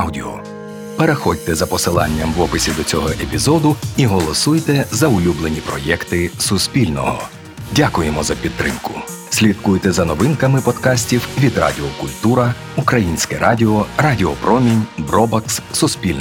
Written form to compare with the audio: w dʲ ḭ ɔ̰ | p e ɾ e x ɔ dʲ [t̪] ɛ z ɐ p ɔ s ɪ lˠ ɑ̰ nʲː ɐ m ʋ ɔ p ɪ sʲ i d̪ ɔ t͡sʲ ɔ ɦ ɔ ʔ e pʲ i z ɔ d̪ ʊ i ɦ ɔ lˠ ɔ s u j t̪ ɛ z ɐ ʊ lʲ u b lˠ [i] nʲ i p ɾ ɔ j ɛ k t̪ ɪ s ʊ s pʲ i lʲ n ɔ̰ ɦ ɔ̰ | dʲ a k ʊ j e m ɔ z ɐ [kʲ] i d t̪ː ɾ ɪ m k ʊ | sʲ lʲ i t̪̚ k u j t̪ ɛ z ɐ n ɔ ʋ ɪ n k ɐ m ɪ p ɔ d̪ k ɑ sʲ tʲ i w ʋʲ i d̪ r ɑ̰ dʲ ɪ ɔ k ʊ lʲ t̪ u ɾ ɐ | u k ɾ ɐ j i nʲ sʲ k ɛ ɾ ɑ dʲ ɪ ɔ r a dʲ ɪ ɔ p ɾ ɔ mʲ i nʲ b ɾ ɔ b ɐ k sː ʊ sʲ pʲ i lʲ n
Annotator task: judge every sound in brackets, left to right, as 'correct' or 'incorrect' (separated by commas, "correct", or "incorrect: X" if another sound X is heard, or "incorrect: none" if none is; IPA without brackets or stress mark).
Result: correct, incorrect: e, incorrect: pʲ